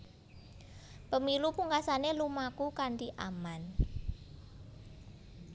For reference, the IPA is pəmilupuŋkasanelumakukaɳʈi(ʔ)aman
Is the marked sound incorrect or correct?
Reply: correct